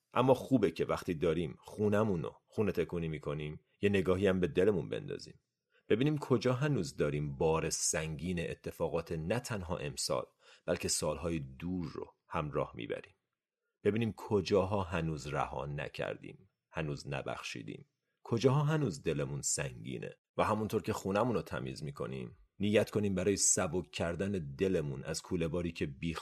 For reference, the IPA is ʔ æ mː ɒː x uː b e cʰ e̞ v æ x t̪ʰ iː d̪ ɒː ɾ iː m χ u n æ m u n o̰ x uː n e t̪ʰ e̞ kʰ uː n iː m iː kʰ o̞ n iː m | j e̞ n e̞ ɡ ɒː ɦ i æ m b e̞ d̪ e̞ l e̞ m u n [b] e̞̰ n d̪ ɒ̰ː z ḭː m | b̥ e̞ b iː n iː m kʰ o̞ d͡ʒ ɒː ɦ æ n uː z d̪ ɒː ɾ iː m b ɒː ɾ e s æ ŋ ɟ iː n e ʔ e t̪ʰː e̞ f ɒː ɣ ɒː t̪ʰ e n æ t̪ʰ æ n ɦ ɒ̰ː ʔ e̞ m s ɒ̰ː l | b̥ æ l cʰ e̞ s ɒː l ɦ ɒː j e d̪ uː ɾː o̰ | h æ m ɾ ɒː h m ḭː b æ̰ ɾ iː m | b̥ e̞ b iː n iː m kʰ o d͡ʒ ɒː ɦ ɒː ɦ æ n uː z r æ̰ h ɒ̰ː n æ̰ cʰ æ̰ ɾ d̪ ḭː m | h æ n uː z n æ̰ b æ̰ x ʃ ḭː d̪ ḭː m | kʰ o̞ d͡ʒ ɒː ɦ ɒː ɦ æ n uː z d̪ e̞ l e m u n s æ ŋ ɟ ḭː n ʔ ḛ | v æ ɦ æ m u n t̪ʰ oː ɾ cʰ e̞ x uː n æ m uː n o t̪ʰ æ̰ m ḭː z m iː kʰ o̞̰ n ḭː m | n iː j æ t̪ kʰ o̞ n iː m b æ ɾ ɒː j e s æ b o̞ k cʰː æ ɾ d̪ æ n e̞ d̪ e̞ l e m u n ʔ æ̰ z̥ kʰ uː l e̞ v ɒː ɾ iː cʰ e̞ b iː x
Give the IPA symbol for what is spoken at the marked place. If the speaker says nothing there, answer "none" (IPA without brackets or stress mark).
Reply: b